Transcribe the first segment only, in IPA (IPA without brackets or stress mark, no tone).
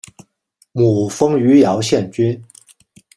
m